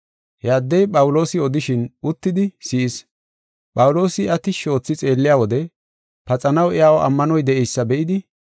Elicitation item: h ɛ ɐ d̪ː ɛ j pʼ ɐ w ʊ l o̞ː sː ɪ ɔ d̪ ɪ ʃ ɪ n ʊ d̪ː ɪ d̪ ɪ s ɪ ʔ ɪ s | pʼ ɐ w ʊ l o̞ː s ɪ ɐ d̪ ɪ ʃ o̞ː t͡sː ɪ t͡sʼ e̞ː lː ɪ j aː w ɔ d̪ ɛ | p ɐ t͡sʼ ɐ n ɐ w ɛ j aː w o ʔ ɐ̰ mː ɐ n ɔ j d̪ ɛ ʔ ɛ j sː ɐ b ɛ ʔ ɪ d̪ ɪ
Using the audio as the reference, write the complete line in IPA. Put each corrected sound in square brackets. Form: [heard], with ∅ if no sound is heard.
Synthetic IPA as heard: h ɛ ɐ d̪ː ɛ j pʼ ɐ w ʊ l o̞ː [s] ɪ ɔ d̪ ɪ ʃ ɪ n ʊ [t̪ː] ɪ d̪ ɪ s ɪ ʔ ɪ s | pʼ ɐ w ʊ l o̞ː s ɪ ɐ [t̪] ɪ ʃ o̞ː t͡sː ɪ t͡sʼ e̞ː lː ɪ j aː w ɔ d̪ ɛ | p ɐ t͡sʼ ɐ n ɐ w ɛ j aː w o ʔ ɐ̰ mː ɐ n ɔ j d̪ ɛ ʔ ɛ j sː ɐ b ɛ ʔ ɪ d̪ ɪ